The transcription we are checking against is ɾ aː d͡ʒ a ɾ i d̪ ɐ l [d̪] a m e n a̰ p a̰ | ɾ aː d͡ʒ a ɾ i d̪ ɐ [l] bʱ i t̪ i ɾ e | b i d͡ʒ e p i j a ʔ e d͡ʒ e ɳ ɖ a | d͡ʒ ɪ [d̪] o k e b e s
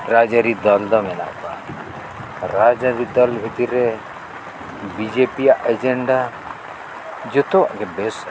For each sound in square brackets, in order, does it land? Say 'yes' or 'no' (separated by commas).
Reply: yes, yes, no